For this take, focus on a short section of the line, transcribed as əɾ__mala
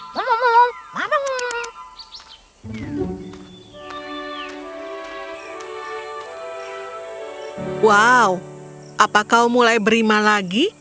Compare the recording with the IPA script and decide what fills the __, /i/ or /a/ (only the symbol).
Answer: i